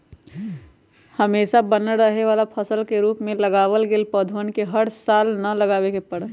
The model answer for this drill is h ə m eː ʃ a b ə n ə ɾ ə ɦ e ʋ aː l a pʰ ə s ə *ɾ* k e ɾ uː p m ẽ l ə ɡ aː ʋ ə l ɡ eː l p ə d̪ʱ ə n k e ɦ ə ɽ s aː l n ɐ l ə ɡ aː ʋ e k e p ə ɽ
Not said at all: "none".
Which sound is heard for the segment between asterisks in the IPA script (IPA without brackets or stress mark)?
l